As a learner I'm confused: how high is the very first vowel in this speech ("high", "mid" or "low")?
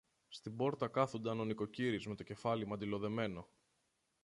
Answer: high